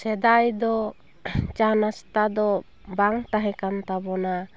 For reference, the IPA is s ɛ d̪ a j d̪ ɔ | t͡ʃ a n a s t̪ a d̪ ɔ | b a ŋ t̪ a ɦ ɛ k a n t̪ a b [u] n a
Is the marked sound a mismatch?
yes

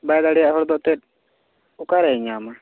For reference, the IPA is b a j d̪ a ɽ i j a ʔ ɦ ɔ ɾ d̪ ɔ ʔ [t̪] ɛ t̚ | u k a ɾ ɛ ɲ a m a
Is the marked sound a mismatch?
no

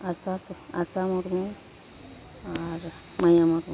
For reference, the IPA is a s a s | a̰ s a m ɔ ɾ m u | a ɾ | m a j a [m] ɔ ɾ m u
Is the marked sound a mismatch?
no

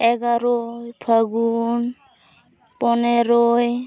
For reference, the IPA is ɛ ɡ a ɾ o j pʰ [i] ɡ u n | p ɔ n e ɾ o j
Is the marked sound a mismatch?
yes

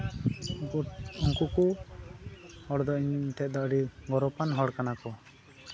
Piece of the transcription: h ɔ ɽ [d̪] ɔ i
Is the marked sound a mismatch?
no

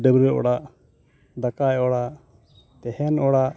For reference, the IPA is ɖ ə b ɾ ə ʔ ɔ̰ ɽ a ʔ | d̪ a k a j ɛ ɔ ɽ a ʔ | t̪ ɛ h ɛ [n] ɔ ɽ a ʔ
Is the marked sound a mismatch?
no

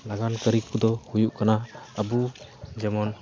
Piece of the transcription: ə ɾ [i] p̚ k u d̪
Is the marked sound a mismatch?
no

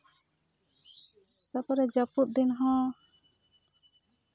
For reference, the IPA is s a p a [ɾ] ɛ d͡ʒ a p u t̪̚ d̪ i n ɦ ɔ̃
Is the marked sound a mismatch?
no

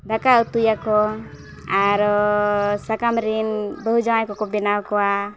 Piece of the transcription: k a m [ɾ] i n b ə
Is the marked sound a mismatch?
no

